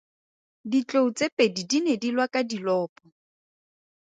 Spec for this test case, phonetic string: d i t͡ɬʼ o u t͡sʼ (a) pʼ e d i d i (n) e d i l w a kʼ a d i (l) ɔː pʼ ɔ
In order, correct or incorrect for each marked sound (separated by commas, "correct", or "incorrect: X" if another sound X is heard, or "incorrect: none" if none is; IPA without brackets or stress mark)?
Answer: incorrect: e, correct, correct